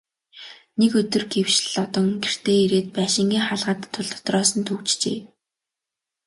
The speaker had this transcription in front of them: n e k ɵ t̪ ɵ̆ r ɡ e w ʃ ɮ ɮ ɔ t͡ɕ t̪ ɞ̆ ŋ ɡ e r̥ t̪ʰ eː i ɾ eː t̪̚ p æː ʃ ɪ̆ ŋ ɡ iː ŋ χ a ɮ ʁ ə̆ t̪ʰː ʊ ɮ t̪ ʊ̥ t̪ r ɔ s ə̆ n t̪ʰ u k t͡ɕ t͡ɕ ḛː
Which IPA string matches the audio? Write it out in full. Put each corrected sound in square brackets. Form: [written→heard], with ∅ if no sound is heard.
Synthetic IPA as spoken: n e k ɵ t̪ ɵ̆ r ɡ e w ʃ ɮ ɮ ɔ [t͡ɕ→∅] t̪ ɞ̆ ŋ ɡ e r̥ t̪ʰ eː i ɾ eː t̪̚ p æː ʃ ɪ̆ ŋ ɡ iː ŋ χ a ɮ ʁ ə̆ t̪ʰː ʊ ɮ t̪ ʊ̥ t̪ r [ɔ→ɔː] s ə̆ n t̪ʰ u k t͡ɕ t͡ɕ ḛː